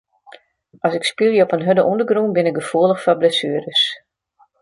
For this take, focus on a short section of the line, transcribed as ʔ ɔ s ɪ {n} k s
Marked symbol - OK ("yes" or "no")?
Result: no